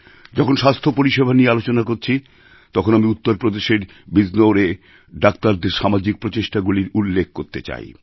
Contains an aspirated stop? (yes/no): yes